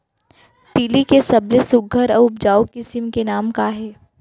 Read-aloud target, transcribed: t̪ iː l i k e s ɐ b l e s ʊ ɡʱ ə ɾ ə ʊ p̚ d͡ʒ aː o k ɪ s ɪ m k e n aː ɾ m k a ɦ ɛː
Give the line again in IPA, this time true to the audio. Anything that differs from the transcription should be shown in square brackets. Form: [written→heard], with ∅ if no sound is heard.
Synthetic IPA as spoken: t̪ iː l i k e s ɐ b l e s ʊ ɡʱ ə ɾ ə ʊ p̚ d͡ʒ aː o k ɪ s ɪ m k e n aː [ɾ→∅] m k a ɦ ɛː